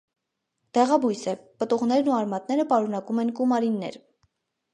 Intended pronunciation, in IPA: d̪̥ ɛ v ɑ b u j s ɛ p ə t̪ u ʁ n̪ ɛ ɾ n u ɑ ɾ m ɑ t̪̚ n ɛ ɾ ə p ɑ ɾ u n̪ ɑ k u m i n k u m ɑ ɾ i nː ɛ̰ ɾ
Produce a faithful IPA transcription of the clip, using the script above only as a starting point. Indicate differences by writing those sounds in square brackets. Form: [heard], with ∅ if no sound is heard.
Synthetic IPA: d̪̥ ɛ [ʁ] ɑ b u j s ɛ p ə t̪ u ʁ n̪ ɛ ɾ n u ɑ ɾ m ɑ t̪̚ n ɛ ɾ ə p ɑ ɾ u n̪ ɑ k u m [ɛ] n k u m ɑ ɾ i nː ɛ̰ ɾ